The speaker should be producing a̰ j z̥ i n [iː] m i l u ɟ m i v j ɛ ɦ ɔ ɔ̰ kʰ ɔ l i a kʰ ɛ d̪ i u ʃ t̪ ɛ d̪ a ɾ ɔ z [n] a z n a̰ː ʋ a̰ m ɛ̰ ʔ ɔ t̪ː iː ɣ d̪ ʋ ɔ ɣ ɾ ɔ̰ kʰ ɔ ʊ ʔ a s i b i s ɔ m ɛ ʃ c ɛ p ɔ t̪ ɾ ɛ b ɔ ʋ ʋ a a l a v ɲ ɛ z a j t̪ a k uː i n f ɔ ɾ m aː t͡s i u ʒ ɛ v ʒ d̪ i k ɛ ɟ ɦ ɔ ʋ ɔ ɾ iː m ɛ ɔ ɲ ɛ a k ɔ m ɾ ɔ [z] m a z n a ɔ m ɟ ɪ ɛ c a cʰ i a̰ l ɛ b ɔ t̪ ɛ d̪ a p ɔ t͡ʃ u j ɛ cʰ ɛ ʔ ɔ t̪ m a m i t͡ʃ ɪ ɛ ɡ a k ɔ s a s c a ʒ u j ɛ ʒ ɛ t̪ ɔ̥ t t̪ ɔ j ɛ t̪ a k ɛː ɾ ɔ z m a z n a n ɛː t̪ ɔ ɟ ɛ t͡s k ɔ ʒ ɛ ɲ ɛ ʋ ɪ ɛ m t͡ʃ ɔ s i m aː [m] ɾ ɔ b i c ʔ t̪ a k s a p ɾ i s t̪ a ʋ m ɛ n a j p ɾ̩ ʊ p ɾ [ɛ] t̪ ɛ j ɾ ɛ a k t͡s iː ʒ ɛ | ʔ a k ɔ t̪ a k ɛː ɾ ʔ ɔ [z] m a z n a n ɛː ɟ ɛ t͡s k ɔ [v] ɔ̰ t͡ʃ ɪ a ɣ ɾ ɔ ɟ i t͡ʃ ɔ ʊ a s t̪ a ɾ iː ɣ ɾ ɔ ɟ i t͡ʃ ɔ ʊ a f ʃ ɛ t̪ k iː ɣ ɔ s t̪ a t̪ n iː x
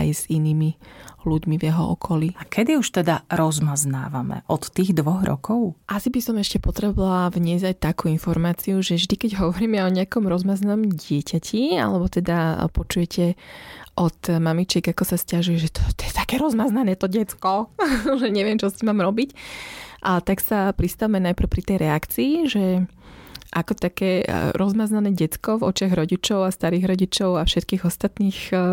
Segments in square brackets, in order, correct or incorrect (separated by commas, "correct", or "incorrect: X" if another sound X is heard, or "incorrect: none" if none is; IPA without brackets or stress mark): correct, incorrect: m, correct, correct, incorrect: i, correct, correct